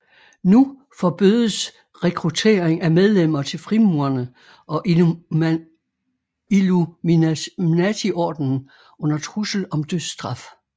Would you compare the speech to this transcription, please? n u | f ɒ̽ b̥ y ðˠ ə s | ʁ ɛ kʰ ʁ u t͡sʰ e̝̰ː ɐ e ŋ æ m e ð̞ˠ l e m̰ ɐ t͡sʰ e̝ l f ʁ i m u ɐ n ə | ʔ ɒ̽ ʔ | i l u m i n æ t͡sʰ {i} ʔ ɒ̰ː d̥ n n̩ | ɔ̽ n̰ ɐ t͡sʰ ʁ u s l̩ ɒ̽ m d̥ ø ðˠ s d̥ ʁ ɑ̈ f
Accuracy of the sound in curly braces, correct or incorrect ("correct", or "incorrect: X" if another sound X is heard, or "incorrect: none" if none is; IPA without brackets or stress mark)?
correct